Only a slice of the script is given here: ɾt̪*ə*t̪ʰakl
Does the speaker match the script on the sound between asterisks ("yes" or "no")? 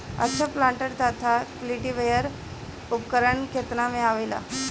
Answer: no